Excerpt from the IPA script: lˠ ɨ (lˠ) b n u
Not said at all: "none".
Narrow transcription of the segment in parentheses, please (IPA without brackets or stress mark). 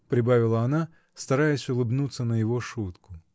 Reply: none